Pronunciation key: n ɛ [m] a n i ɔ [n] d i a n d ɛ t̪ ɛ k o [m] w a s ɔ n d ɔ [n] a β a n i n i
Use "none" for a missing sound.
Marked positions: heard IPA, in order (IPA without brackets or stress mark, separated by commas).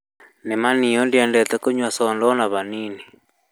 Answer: m, n, ɲ, n